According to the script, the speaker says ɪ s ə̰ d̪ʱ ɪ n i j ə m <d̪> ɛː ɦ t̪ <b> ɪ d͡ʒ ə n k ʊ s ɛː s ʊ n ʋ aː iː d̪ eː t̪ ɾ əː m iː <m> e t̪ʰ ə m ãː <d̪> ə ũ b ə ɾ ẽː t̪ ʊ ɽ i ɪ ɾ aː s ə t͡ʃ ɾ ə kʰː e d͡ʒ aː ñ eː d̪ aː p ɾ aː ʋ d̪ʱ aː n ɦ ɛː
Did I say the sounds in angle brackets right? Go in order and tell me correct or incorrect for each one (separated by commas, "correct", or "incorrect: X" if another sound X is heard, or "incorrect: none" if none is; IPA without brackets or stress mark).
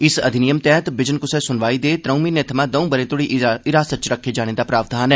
incorrect: t̪, correct, incorrect: n, correct